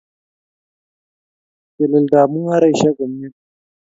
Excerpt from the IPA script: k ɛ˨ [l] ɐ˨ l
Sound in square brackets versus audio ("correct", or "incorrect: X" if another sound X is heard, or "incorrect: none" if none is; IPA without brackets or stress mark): correct